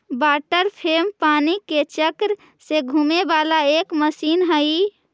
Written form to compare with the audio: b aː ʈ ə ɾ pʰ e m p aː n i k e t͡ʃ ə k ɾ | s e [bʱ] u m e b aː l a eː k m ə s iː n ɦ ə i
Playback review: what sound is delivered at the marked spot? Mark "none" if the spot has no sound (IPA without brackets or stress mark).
ɡʱ